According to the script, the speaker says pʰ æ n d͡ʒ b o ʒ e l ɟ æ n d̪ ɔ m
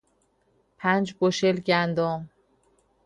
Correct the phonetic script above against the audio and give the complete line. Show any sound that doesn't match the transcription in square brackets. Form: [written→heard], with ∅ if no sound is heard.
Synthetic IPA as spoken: pʰ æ n d͡ʒ b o [ʒ→ʃ] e l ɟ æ n d̪ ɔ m

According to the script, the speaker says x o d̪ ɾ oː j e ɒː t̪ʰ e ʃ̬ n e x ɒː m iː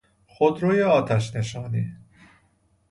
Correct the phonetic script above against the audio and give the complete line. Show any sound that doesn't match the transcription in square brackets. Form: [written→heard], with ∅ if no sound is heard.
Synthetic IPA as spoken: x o d̪ ɾ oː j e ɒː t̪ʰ [e→æ] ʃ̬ n e [x→ʃ] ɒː [m→n] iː

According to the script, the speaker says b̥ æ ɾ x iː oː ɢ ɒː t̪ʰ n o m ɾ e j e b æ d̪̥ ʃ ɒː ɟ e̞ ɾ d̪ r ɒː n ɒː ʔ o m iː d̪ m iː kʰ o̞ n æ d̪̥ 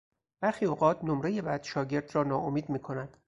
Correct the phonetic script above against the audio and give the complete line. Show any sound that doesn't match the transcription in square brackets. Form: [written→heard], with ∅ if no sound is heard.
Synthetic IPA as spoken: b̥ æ ɾ x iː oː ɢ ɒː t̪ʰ n o m ɾ e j e b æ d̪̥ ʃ ɒː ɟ e̞ ɾ d̪ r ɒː n ɒː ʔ o m iː d̪ m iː kʰ o̞ n æ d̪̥

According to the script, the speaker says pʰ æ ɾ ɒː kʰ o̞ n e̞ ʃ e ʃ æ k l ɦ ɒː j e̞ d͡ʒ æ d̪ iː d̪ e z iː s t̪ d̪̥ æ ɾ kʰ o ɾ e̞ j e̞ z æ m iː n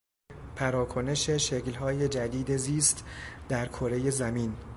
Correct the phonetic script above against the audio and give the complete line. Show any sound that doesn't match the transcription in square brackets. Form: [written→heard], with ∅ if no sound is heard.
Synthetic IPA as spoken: pʰ æ ɾ ɒː kʰ o̞ n e̞ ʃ e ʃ [æ→e] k l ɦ ɒː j e̞ d͡ʒ æ d̪ iː d̪ e z iː s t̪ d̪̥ æ ɾ kʰ o ɾ e̞ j e̞ z æ m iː n

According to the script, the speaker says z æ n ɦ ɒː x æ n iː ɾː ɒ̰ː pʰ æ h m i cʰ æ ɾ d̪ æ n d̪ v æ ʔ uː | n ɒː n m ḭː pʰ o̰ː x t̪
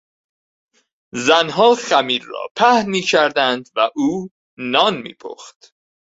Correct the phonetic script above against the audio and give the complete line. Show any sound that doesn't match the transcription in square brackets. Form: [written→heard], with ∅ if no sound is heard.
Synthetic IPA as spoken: z æ n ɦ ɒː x æ [n→m] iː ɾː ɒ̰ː pʰ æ h m [i→iː] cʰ æ ɾ d̪ æ n d̪ v æ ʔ uː | n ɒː n m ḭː pʰ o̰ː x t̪

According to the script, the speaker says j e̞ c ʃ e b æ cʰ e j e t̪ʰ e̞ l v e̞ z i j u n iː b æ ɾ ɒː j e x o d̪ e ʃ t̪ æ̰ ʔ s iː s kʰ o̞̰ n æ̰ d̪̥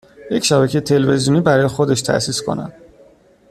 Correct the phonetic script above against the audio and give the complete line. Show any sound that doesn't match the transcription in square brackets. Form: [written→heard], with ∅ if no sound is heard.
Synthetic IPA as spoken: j e̞ c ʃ [e→æ] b æ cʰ e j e t̪ʰ e̞ l v e̞ z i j u n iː b æ ɾ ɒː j e x o d̪ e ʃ [t̪→t̪ʰ] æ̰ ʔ s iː s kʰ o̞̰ n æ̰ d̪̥

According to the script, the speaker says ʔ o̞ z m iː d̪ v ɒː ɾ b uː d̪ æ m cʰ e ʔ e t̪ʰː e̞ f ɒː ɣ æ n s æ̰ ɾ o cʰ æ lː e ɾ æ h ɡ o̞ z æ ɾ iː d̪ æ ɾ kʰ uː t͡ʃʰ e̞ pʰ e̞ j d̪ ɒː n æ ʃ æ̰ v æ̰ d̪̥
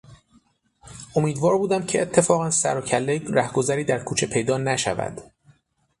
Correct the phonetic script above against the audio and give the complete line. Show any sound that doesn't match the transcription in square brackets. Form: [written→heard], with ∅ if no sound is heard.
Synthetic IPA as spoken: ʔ o̞ [z→∅] m iː d̪ v ɒː ɾ b uː d̪ æ m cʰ e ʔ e t̪ʰː e̞ f ɒː ɣ æ n s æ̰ ɾ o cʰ æ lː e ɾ æ h ɡ o̞ z æ ɾ iː d̪ æ ɾ kʰ uː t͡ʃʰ e̞ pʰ e̞ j d̪ ɒː n æ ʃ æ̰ v æ̰ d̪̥

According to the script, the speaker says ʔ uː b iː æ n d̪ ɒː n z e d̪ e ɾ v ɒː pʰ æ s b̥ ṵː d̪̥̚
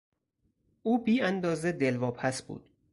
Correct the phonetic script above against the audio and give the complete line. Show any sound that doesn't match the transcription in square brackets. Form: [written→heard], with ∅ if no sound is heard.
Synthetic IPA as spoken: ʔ uː b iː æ n d̪ ɒː [n→∅] z e d̪ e [ɾ→l] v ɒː pʰ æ s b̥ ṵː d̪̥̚

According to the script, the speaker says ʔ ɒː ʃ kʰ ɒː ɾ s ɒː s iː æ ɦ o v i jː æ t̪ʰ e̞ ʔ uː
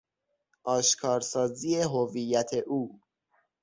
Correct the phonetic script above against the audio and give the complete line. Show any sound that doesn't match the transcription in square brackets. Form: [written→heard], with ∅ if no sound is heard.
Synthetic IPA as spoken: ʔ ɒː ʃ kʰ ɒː ɾ s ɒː [s→z] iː [æ→e] ɦ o v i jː æ t̪ʰ e̞ ʔ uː

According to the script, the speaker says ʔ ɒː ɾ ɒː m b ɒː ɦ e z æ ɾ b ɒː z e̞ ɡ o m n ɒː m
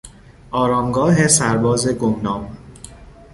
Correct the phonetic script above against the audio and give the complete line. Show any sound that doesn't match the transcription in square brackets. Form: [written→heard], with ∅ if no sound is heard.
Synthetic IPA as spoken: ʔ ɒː ɾ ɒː m [b→ɡ] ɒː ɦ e [z→s] æ ɾ b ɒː z e̞ ɡ o m n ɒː m

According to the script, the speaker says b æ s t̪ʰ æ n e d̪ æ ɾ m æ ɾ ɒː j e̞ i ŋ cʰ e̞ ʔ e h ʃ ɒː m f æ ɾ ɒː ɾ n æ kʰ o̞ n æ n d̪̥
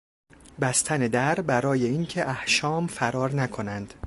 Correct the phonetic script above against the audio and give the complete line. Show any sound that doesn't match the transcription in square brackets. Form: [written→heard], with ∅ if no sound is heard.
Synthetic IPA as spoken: b æ s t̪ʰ æ n e d̪ æ ɾ [m→b] æ ɾ ɒː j e̞ i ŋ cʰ e̞ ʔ [e→æ] h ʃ ɒː m f æ ɾ ɒː ɾ n æ kʰ o̞ n æ n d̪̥

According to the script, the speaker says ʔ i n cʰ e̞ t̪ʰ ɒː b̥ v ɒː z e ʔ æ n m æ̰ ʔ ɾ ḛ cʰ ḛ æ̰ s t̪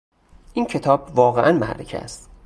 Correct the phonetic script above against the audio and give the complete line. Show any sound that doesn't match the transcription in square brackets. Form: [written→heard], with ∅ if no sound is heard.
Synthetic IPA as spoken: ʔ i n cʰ e̞ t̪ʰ ɒː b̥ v ɒː [z→ɣ] e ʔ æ n m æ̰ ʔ ɾ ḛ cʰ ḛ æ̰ s t̪

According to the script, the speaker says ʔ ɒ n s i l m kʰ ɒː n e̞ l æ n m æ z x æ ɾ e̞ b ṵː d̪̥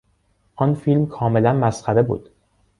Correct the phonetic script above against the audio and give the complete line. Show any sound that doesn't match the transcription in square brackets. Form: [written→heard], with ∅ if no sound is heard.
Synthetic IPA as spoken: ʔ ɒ n [s→f] i l m kʰ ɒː [n→m] e̞ l æ n m æ [z→s] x æ ɾ e̞ b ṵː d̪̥

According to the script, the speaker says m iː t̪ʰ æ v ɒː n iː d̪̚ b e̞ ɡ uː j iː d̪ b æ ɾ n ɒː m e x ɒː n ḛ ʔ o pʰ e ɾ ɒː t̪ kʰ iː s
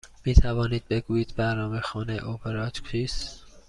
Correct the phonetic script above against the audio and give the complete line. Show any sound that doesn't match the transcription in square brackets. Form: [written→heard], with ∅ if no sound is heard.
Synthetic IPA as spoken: m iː t̪ʰ æ v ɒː n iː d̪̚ b e̞ ɡ uː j iː d̪ b æ ɾ n ɒː m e x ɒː n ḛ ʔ o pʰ e ɾ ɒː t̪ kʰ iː s

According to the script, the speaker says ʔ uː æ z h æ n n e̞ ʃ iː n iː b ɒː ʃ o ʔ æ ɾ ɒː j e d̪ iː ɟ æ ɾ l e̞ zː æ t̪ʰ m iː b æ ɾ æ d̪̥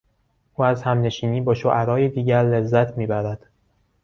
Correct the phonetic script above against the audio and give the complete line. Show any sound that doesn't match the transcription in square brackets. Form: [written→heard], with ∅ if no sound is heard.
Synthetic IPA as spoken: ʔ uː æ z h æ [n→m] n e̞ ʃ iː n iː b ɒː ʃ o ʔ æ ɾ ɒː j e d̪ iː ɟ æ ɾ l e̞ zː æ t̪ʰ m iː b æ ɾ æ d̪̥

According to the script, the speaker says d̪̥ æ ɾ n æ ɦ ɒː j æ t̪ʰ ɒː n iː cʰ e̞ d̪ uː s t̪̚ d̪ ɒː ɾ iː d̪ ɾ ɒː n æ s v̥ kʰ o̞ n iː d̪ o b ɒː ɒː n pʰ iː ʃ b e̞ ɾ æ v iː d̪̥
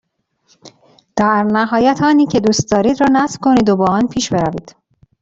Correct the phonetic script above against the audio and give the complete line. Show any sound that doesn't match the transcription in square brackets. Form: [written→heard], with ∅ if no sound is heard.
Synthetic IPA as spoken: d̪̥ æ ɾ n æ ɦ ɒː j æ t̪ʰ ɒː n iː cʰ e̞ d̪ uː s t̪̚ d̪ ɒː ɾ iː d̪ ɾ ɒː n æ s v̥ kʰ o̞ n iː d̪ o b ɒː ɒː n pʰ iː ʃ b e̞ ɾ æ v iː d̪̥

